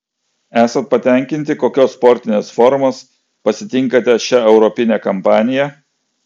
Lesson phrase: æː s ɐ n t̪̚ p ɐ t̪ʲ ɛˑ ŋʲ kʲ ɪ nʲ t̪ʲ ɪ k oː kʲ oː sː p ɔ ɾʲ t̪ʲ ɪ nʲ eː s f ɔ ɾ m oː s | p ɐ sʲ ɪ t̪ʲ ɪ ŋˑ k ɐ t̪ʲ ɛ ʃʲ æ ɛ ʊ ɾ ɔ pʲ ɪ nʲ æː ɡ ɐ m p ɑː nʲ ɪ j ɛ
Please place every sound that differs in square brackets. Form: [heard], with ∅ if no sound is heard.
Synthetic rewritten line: æː s ɐ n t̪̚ p ɐ t̪ʲ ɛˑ ŋʲ kʲ ɪ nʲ t̪ʲ ɪ k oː kʲ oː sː p ɔ ɾʲ t̪ʲ ɪ nʲ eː s f ɔ ɾ m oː s | p ɐ sʲ ɪ t̪ʲ ɪ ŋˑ k ɐ t̪ʲ ɛ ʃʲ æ ɛ ʊ ɾ ɔ pʲ ɪ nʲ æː [k] ɐ m p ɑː nʲ ɪ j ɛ

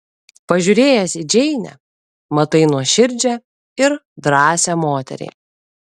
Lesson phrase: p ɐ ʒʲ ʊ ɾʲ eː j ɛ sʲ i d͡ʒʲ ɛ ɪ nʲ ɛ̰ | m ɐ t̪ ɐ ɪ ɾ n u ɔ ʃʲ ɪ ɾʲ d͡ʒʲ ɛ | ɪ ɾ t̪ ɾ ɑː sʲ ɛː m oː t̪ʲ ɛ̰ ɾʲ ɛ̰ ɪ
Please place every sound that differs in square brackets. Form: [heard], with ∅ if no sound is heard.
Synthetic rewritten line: p ɐ ʒʲ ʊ ɾʲ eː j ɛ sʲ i d͡ʒʲ ɛ ɪ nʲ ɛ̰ | m ɐ t̪ ɐ ɪ [∅] n u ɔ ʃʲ ɪ ɾʲ d͡ʒʲ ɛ | ɪ ɾ [d̪] ɾ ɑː sʲ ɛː m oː t̪ʲ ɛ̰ ɾʲ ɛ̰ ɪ

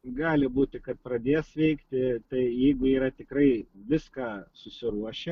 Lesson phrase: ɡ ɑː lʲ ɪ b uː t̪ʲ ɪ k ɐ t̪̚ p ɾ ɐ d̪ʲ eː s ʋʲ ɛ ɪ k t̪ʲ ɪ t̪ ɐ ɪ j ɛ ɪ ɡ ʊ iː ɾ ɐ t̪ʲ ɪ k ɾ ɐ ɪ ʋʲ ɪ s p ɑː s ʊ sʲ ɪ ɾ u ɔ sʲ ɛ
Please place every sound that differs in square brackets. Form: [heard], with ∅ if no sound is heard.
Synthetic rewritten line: ɡ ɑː lʲ ɪ b uː t̪ʲ ɪ k ɐ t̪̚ p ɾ ɐ d̪ʲ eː s ʋʲ ɛ ɪ k t̪ʲ ɪ t̪ ɐ ɪ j ɛ ɪ ɡ ʊ iː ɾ ɐ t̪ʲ ɪ k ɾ ɐ ɪ ʋʲ ɪ s [k] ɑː s ʊ sʲ ɪ ɾ u ɔ [ʃʲ] ɛ

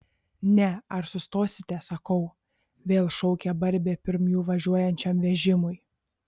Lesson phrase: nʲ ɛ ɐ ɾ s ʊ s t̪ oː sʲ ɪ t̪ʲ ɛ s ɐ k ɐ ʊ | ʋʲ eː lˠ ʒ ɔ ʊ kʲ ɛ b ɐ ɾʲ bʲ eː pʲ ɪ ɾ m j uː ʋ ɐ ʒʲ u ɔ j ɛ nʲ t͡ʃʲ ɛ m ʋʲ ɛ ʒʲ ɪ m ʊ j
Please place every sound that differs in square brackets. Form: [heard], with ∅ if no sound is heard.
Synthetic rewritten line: nʲ ɛ ɐ ɾ s ʊ s t̪ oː sʲ ɪ t̪ʲ ɛ s ɐ k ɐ ʊ | ʋʲ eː lˠ [ʃ] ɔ ʊ kʲ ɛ b ɐ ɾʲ bʲ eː pʲ ɪ ɾ m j uː ʋ ɐ ʒʲ u ɔ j ɛ nʲ t͡ʃʲ ɛ m ʋʲ ɛ ʒʲ ɪ m ʊ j

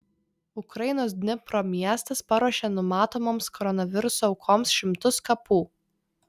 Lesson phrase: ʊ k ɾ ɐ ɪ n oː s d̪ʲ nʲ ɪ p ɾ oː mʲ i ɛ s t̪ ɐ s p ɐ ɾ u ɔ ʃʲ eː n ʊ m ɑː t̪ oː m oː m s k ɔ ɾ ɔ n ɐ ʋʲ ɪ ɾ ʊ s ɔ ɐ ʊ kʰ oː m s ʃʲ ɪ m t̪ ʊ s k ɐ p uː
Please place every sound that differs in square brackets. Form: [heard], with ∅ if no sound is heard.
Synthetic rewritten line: ʊ k ɾ ɐ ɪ n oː s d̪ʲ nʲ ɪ p ɾ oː mʲ i ɛ s t̪ ɐ s p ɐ ɾ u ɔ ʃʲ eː n ʊ m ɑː t̪ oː m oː m s k ɔ ɾ ɔ n ɐ ʋʲ ɪ ɾ ʊ s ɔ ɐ ʊ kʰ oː m s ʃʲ ɪ m t̪ ʊ s k ɐ p uː

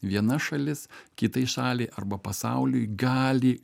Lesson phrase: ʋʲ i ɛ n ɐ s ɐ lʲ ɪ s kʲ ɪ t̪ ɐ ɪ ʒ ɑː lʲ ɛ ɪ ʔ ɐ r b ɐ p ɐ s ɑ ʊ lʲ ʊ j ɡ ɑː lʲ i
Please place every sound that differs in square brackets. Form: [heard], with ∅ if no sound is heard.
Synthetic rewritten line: ʋʲ i ɛ n ɐ [ʃ] ɐ lʲ ɪ s kʲ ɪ t̪ ɐ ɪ [ʃ] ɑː lʲ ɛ ɪ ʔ ɐ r b ɐ p ɐ s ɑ ʊ lʲ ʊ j ɡ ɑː lʲ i

